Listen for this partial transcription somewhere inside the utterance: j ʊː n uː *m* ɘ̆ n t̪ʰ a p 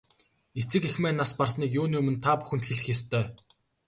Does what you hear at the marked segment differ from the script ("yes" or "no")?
no